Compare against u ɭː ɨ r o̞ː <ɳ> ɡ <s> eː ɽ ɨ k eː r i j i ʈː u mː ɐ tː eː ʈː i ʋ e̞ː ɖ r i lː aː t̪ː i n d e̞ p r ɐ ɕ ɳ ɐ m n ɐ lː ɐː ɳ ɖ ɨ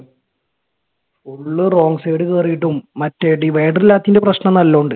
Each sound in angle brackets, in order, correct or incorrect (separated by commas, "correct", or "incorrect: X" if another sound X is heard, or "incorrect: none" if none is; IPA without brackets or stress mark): incorrect: ŋ, correct